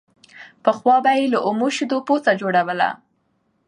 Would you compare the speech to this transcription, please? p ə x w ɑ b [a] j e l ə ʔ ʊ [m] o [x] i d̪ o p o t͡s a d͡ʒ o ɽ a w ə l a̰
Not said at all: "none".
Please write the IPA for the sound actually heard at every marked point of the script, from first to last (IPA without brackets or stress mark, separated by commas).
a, m, ʃ